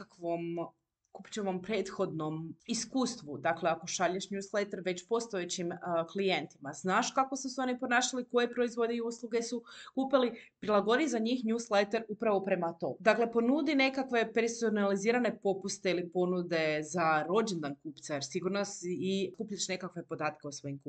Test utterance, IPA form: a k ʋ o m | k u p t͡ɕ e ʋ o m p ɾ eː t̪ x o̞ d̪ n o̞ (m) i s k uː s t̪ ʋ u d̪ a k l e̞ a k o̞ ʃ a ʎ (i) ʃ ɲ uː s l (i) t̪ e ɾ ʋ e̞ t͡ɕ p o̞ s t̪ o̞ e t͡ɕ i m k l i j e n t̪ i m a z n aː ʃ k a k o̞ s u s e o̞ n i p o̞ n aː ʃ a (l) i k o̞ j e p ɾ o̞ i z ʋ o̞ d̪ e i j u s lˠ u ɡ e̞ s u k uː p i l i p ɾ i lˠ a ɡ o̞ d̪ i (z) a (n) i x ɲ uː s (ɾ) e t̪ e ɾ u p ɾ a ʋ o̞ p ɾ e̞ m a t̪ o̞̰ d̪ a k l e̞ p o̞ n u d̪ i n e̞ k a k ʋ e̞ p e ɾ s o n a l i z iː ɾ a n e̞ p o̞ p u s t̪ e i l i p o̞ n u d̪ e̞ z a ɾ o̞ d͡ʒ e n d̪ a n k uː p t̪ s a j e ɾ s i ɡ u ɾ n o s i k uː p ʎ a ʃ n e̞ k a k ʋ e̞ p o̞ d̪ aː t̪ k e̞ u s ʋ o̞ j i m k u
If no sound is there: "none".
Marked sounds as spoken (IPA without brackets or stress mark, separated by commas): m, e, e, l, z, ɲ, l